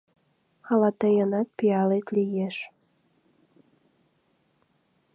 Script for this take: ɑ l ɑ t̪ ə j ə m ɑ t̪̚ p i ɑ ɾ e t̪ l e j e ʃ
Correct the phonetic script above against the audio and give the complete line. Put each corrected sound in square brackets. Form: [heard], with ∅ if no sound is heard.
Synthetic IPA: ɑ l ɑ t̪ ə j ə [n] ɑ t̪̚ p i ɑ [l] e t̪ l [i] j e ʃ

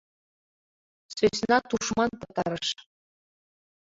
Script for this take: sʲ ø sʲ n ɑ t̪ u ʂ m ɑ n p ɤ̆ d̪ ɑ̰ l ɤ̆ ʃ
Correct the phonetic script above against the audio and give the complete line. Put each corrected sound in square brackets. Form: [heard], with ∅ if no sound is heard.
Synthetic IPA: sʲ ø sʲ n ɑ t̪ u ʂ m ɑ n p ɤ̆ [t̪] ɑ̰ [ɾ] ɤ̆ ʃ

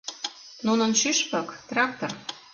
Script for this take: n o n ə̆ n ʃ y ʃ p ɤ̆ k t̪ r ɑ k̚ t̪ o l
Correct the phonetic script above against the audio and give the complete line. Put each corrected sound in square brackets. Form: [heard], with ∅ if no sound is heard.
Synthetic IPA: n [u] n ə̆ n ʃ y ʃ p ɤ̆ k t̪ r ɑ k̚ t̪ o [r]

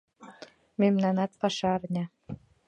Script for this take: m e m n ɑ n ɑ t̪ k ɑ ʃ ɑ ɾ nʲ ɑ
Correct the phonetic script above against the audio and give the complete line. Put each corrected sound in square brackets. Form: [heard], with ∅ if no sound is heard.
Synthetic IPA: m e m n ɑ n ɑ t̪ [p] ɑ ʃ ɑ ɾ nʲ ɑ

